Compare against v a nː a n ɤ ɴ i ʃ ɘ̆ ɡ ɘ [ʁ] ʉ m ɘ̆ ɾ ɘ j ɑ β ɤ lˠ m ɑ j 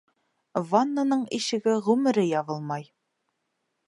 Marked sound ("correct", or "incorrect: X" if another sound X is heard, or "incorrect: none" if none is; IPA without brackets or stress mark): correct